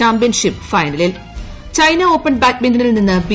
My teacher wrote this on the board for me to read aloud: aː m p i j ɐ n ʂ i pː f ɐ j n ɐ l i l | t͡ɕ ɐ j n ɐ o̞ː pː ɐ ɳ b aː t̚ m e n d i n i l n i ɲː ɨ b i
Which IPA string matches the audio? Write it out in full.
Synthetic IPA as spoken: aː m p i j ɐ n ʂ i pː f ɐ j n ɐ l i l | t͡ɕ ɐ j n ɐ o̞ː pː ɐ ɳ b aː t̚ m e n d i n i l n i nː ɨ b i